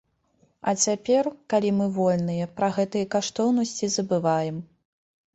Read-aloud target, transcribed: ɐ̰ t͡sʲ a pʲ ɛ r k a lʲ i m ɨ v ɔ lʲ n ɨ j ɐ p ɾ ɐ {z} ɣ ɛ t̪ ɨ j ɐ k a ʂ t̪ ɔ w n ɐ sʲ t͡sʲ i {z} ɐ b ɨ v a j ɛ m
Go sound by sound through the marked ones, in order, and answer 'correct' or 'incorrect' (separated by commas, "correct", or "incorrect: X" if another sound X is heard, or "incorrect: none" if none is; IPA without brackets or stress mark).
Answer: incorrect: none, correct